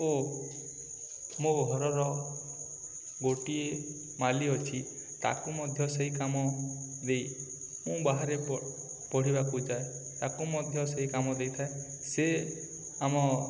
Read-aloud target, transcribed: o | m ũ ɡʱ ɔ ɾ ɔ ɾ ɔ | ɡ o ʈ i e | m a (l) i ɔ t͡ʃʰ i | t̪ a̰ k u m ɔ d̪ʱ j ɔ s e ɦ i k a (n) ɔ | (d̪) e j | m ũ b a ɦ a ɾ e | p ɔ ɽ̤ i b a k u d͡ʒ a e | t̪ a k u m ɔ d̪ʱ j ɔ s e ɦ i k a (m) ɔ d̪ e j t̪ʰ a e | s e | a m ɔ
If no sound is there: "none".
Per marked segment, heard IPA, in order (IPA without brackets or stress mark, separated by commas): l, m, d̪, m